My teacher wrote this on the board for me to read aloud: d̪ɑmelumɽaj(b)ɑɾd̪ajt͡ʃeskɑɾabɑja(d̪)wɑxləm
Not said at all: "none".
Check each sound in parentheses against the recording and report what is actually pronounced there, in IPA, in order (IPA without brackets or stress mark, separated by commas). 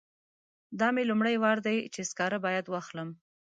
w, d̪